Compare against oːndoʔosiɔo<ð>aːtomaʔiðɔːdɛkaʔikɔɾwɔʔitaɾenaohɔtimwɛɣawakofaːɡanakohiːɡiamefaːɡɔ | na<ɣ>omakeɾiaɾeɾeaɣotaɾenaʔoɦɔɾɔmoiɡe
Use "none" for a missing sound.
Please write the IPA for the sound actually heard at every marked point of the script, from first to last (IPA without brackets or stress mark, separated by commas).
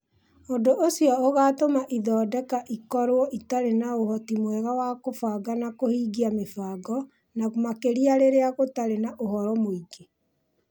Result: ɣ, ɣ